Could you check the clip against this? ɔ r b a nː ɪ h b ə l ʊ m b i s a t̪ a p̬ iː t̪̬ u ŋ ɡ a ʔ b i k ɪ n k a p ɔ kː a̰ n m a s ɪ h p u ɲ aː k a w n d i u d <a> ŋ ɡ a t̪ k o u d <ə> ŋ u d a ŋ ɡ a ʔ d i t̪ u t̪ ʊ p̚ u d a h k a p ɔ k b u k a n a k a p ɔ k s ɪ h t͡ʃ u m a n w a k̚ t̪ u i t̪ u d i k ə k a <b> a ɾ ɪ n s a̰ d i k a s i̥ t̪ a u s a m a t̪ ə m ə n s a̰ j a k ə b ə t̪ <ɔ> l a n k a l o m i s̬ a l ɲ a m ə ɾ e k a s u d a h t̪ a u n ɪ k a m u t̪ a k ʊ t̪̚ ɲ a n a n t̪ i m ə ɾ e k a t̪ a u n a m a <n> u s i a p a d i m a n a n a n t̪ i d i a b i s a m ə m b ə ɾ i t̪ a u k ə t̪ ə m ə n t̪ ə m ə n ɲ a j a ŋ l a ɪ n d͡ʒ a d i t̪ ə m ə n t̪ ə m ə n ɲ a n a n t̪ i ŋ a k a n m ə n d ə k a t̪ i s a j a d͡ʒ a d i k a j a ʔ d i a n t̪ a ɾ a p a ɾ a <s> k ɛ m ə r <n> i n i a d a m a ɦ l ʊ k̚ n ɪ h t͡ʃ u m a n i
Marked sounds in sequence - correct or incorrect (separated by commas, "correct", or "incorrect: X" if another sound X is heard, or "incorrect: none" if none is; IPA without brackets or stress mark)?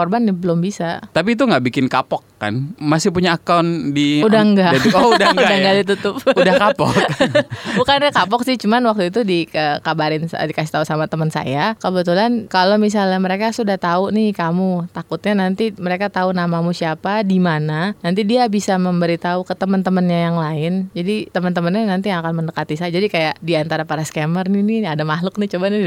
correct, incorrect: a, correct, incorrect: u, incorrect: m, correct, correct